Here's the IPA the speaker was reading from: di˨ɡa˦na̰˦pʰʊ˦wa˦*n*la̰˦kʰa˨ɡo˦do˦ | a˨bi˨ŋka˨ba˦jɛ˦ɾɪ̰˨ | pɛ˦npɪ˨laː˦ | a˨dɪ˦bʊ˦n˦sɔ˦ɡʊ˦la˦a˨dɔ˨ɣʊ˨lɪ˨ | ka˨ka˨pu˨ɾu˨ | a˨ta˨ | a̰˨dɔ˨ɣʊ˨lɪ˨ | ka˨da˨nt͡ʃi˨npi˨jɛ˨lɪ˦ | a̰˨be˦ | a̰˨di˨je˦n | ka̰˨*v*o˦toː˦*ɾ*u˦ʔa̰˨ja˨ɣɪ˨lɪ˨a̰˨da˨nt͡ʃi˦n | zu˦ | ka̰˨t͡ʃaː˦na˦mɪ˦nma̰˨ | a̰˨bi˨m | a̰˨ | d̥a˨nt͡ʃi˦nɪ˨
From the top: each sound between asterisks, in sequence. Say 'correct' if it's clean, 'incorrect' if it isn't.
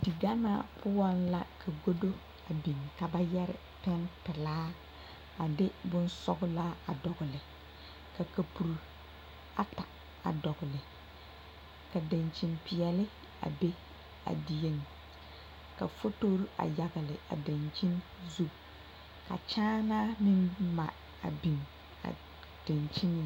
correct, incorrect: f, correct

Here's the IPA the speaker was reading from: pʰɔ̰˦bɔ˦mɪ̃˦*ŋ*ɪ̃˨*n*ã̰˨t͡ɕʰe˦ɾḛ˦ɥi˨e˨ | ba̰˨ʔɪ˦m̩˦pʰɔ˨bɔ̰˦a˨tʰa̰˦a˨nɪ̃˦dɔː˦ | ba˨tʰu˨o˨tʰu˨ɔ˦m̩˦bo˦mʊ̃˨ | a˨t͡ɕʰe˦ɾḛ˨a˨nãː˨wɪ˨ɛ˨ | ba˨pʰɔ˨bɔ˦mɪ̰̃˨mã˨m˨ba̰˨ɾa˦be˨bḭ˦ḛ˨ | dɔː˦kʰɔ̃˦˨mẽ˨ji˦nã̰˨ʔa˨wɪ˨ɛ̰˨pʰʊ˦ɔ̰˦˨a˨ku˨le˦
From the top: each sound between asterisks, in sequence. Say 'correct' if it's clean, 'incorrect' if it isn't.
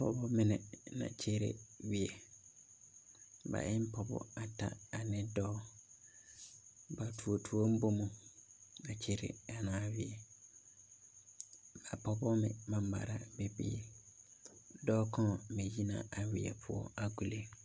incorrect: n, correct

